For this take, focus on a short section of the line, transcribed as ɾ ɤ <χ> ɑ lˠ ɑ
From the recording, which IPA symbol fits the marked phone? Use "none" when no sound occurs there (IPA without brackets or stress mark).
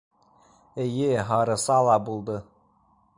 s